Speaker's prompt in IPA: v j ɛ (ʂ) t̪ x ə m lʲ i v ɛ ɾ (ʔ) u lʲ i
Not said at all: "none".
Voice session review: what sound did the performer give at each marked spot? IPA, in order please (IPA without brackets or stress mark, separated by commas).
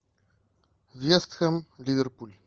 s, p